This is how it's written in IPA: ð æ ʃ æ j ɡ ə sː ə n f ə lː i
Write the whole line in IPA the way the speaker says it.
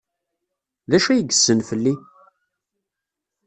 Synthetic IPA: ð æ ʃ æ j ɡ ə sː ə n f ə lː i